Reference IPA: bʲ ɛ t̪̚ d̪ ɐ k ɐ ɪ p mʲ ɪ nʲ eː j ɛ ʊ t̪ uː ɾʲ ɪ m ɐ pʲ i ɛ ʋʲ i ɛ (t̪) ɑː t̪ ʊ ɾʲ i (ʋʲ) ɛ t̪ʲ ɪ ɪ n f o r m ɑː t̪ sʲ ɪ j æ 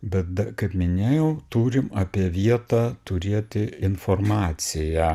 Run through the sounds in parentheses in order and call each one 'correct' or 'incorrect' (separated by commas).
correct, incorrect